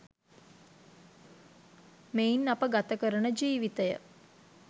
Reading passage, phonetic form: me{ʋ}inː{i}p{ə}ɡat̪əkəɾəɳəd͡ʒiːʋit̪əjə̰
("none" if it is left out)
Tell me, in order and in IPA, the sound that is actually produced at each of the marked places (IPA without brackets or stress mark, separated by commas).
none, a, ə